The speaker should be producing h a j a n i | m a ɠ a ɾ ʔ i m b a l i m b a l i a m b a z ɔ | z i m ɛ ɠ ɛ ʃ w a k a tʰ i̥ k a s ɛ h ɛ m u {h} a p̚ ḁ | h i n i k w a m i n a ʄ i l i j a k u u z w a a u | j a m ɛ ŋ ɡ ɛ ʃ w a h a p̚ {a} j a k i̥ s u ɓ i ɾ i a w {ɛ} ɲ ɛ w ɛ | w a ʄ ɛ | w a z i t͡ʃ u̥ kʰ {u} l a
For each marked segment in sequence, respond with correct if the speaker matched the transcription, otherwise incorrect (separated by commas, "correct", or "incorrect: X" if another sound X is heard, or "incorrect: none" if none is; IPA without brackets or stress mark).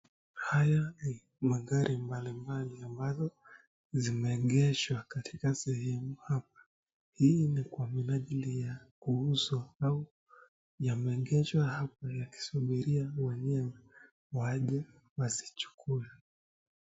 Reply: correct, correct, correct, correct